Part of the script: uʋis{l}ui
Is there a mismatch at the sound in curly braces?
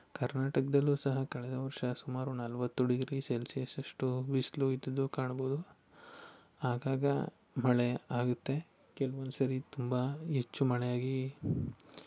no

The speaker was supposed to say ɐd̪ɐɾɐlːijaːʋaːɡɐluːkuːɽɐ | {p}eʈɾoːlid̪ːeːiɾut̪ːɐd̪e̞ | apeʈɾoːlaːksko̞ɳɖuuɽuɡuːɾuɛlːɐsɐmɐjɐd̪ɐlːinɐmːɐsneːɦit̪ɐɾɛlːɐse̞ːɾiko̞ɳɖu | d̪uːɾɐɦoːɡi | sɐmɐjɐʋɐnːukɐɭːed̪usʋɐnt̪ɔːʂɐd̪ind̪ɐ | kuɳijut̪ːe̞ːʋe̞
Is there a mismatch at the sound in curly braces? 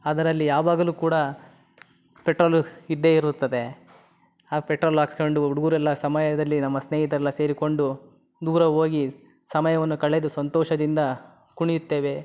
no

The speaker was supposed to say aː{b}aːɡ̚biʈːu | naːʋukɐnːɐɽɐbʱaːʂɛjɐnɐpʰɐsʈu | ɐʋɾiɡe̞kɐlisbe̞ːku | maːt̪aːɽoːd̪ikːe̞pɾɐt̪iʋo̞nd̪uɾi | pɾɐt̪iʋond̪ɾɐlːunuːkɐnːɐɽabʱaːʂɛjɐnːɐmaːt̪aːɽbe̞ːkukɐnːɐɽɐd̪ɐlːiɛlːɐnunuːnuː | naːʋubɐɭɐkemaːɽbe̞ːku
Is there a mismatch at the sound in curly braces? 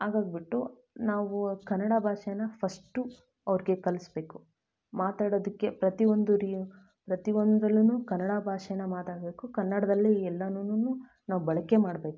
yes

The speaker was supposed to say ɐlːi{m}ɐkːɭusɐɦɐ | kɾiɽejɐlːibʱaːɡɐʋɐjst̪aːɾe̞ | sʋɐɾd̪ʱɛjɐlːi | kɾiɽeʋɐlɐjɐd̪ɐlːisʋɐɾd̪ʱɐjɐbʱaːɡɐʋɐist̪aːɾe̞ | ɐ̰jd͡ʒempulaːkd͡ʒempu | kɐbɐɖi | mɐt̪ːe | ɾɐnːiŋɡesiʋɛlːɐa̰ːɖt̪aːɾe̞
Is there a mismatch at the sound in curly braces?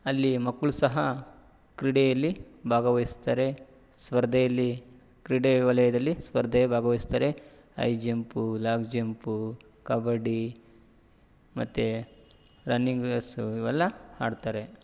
no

